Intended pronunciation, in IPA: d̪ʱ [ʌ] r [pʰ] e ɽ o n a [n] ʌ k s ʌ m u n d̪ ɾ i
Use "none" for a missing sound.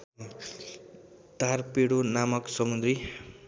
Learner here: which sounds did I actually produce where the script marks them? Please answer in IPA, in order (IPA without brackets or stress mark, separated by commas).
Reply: a, p, m